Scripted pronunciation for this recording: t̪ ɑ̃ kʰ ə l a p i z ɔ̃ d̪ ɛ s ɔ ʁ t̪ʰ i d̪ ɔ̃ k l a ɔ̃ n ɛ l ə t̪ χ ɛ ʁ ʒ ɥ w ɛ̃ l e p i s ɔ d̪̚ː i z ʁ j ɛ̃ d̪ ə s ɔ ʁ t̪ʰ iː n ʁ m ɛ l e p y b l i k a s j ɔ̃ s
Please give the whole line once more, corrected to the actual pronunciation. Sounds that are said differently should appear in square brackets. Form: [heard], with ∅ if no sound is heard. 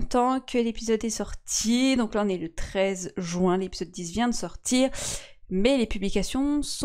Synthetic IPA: t̪ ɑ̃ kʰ ə l [e] p i z [ɔ] d̪ ɛ s ɔ ʁ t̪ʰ i d̪ ɔ̃ k l a ɔ̃ n ɛ l ə t̪ χ ɛ [z] ʒ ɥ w ɛ̃ l e p i [z] ɔ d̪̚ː i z [v] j ɛ̃ d̪ ə s ɔ ʁ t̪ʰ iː [∅] ʁ m ɛ l e p y b l i k a s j ɔ̃ s